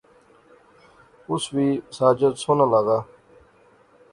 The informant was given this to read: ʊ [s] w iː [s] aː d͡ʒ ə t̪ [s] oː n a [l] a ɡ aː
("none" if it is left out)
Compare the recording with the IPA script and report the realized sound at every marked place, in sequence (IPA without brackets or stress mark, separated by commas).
s, s, s, l